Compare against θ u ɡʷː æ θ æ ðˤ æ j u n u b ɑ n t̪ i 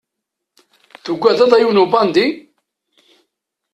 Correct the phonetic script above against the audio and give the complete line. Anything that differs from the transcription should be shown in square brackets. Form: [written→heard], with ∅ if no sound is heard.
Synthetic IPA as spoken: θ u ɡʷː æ [θ→ð] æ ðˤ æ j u n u b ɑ n [t̪→d̪] i